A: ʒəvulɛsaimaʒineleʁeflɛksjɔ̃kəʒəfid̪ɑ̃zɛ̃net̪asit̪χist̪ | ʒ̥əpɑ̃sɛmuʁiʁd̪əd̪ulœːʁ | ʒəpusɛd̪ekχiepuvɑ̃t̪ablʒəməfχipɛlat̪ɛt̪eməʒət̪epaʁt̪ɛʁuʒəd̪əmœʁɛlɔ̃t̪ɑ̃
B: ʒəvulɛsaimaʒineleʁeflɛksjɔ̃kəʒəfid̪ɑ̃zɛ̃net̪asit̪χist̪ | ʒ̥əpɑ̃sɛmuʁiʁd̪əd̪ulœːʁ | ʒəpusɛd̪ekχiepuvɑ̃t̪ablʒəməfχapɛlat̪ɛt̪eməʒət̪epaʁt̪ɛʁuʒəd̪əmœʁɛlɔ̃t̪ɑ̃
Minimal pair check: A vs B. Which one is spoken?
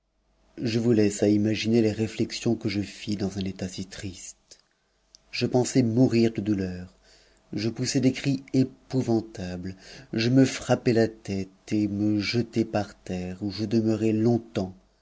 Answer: B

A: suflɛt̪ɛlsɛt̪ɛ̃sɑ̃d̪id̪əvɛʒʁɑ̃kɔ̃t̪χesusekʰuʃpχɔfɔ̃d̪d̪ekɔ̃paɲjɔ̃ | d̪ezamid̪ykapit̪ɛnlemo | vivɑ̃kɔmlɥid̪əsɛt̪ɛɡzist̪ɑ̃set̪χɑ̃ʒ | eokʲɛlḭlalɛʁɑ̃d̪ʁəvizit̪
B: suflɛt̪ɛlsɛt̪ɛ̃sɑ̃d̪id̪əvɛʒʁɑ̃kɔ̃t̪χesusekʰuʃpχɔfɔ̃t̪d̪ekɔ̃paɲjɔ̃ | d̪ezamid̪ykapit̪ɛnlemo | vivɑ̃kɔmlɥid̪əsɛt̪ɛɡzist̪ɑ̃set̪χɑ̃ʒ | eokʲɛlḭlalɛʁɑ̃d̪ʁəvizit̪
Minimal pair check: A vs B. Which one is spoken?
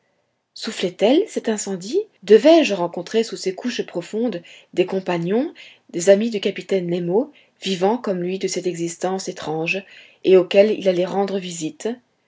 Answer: A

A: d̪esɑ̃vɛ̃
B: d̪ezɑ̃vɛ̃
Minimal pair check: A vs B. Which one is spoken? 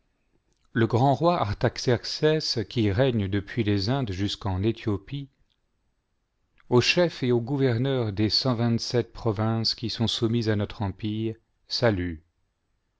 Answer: A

